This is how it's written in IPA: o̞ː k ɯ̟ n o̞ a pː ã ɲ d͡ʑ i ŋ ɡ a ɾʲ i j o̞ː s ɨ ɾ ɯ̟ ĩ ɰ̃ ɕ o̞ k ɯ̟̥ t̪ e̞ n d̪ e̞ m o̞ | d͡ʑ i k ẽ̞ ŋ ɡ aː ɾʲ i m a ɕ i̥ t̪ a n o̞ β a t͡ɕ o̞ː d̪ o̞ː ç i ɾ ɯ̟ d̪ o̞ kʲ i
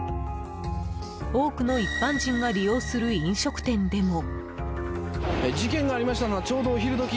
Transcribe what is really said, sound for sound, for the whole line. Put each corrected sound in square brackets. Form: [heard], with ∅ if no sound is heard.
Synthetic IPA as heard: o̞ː k ɯ̟ n o̞ [i] pː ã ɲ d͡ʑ [ĩ] ŋ ɡ a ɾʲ i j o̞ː s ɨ ɾ ɯ̟ ĩ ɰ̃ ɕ o̞ k ɯ̟̥ t̪ [ẽ̞] n d̪ e̞ m o̞ | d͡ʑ i k ẽ̞ ŋ ɡ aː ɾʲ i m a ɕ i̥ t̪ a n o̞ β a t͡ɕ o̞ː d̪ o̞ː ç i ɾ ɯ̟ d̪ o̞ kʲ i

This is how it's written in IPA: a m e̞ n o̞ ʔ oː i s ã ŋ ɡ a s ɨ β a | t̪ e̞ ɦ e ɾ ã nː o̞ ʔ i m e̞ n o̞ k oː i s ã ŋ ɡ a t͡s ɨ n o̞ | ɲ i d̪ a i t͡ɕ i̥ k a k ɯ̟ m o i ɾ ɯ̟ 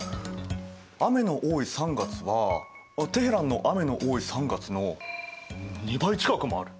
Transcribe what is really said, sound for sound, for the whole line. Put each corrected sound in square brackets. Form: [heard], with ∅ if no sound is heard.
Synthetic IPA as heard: a m e̞ n o̞ ʔ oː i s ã ŋ ɡ a [t͡s] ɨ β a | t̪ e̞ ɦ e ɾ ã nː o̞ ʔ [a] m e̞ n o̞ [ʔ] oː i s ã ŋ ɡ a t͡s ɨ n o̞ | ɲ i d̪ a i t͡ɕ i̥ k a k ɯ̟ m o [a] ɾ ɯ̟

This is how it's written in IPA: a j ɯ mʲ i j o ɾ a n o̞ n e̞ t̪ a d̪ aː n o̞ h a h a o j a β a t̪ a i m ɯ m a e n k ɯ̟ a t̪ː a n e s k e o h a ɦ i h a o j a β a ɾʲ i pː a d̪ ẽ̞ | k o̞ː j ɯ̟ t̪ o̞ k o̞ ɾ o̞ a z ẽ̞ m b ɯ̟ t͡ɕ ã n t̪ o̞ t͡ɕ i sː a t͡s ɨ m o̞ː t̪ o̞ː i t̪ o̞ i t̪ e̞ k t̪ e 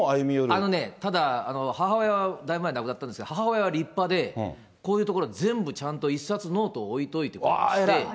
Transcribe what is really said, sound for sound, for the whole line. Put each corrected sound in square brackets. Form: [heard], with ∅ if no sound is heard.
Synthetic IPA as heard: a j ɯ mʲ i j o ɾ a n o̞ n e̞ t̪ a d̪ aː n o̞ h a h a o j a β a [d̪] a i m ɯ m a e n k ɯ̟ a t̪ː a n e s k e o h a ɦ [a] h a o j a β a ɾʲ i pː a d̪ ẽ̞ | k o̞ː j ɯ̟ t̪ o̞ k o̞ ɾ o̞ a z ẽ̞ m b ɯ̟ t͡ɕ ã n t̪ o̞ [∅] i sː a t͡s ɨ [n] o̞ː t̪ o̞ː i t̪ o̞ i t̪ e̞ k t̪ e

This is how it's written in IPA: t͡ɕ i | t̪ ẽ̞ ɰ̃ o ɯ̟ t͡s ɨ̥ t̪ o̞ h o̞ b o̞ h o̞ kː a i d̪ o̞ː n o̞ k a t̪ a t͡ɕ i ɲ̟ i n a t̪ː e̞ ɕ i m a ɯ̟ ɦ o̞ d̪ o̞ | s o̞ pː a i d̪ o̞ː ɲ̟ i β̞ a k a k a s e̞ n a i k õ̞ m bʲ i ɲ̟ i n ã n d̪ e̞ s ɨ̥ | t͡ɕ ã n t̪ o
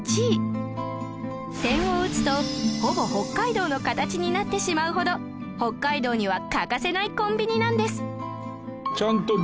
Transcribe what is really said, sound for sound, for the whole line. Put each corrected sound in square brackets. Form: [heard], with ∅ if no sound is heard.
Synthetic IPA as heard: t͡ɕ i | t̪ ẽ̞ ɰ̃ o ɯ̟ t͡s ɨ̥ t̪ o̞ h o̞ b o̞ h o̞ kː a i d̪ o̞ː n o̞ k a t̪ a t͡ɕ i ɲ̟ i n a t̪ː e̞ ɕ i m a ɯ̟ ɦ o̞ d̪ o̞ | [h] o̞ [kː] a i d̪ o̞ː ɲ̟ i β̞ a k a k a s e̞ n a i k õ̞ m bʲ i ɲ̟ i n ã n d̪ e̞ s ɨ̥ | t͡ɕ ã n t̪ o

